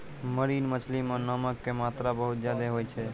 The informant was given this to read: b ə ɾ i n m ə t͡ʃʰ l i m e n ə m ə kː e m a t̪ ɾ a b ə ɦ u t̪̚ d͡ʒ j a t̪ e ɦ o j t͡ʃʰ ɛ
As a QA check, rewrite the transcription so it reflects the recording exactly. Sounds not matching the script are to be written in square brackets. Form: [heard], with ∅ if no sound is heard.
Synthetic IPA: [m] ə ɾ i n m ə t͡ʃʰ l i m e n ə m ə kː e m a t̪ ɾ a b ə ɦ u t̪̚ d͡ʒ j a [d̪] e ɦ o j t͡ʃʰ ɛ